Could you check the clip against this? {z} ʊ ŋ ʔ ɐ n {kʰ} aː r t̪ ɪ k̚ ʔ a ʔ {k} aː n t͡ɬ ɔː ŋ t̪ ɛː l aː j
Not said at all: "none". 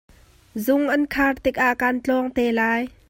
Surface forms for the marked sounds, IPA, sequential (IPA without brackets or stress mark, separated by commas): z, kʰ, k